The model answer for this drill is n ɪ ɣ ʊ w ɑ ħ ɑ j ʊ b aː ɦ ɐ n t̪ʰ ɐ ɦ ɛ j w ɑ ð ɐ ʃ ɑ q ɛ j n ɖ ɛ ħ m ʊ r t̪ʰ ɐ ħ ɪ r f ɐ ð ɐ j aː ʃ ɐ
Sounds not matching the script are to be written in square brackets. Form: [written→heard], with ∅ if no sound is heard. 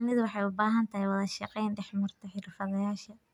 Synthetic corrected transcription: n ɪ [ɣ→ð] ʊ w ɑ ħ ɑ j ʊ b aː ɦ ɐ n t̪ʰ ɐ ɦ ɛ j w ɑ ð ɐ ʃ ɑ q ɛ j n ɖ ɛ ħ m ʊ r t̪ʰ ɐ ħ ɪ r f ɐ ð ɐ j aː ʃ ɐ